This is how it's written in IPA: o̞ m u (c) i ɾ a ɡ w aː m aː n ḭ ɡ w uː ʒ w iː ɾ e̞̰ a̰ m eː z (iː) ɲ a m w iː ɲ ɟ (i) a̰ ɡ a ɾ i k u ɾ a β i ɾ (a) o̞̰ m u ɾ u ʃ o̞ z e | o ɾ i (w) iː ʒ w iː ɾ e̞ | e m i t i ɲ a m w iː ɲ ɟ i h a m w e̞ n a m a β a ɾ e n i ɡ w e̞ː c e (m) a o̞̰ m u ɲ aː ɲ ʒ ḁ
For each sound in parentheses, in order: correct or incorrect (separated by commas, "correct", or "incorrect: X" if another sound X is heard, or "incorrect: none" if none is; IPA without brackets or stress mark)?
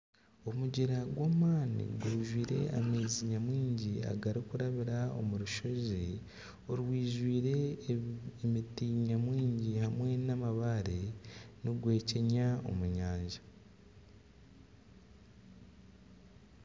incorrect: ɟ, incorrect: i, correct, correct, correct, incorrect: ɲ